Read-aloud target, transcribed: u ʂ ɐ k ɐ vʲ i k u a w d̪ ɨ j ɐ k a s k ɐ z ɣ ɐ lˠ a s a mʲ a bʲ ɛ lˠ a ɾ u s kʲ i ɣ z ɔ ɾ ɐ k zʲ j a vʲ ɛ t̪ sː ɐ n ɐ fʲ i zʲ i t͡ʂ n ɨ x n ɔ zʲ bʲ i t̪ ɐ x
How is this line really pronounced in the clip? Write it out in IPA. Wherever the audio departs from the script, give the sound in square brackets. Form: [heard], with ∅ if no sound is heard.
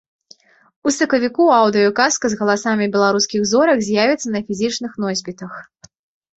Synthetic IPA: u [s] ɐ k ɐ vʲ i k u a w d̪ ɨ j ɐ k a s k ɐ z ɣ ɐ lˠ a s a mʲ [i] bʲ ɛ lˠ a ɾ u s kʲ i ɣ z ɔ ɾ ɐ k zʲ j a vʲ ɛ t̪ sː ɐ n ɐ fʲ i zʲ i t͡ʂ n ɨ x n ɔ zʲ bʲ i t̪ ɐ x